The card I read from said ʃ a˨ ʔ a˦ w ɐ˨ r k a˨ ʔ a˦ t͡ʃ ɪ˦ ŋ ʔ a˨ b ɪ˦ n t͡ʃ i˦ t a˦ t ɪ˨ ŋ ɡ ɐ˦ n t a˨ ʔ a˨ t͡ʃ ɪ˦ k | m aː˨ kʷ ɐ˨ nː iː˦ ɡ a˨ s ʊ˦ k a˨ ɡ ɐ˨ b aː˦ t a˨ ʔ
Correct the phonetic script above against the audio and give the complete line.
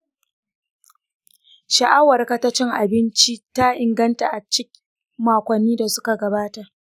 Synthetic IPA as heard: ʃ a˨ ʔ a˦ w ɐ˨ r k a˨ t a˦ t͡ʃ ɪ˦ ŋ ʔ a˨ b ɪ˦ n t͡ʃ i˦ t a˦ ʔ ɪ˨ ŋ ɡ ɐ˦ n t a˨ ʔ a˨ t͡ʃ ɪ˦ k | m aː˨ kʷ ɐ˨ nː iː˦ d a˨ s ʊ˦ k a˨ ɡ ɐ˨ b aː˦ t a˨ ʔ